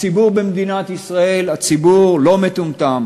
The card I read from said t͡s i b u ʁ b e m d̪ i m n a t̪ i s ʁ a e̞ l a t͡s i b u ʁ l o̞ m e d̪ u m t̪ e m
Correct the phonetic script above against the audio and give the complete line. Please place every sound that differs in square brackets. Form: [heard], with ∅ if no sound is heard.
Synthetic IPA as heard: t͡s i b u ʁ b e m d̪ i [∅] n a t̪ i s ʁ a e̞ l a t͡s i b u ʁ l o̞ m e [t̪] u m t̪ [a] m